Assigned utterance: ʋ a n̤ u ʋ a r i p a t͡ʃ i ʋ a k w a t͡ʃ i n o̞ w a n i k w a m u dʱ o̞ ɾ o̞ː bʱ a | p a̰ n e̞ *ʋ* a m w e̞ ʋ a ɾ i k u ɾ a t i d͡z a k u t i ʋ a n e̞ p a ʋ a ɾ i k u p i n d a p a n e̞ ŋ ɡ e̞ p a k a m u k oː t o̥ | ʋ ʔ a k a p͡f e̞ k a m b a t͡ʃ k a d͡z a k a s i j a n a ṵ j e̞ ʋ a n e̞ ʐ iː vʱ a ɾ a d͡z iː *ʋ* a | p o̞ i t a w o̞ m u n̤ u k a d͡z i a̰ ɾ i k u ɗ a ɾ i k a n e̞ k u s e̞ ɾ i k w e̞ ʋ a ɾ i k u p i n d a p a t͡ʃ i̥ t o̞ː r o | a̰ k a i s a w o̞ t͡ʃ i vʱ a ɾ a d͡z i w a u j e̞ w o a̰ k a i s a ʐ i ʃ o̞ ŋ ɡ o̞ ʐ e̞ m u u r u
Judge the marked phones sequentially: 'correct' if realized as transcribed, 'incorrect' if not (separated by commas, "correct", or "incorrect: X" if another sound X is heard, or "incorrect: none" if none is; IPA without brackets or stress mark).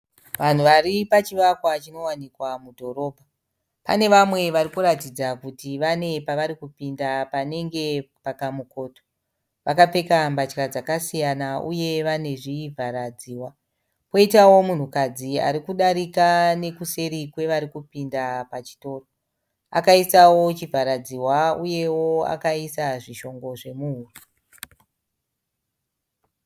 correct, incorrect: w